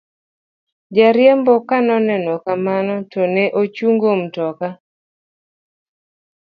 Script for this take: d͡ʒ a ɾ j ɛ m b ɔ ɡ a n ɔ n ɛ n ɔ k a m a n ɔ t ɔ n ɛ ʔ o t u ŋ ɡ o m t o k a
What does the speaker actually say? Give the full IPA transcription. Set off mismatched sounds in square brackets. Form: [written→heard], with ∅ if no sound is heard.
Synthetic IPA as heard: d͡ʒ a ɾ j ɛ m b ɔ [ɡ→k] a n ɔ n ɛ n ɔ k a m a n ɔ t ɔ n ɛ ʔ o [t→t͡ʃ] u ŋ ɡ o m t [o→ɔ] k a